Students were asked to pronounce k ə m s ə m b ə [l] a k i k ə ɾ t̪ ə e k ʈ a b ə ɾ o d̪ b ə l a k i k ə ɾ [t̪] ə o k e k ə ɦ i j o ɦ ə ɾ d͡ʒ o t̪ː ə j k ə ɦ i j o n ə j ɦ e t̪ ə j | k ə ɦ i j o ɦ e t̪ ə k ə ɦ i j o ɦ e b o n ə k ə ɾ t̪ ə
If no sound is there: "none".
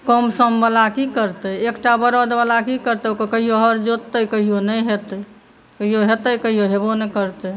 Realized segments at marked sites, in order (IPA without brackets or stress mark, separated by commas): l, t̪